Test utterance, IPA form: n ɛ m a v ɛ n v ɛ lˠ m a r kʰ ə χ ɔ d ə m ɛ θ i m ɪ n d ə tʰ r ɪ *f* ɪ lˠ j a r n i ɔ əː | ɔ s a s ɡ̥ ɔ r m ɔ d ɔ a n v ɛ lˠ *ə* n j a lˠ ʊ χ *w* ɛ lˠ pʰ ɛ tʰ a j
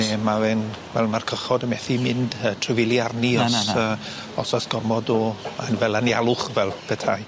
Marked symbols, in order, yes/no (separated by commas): no, no, no